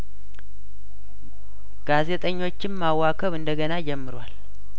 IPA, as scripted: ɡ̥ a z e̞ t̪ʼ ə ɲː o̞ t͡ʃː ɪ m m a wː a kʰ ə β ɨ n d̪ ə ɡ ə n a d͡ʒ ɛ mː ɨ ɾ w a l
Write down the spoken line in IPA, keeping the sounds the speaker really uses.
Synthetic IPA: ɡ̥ a z e̞ t̪ʼ ə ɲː o̞ t͡ʃː ɪ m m a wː a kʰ ə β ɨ n d̪ ə ɡ ə n a d͡ʒ ɛ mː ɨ ɾ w a l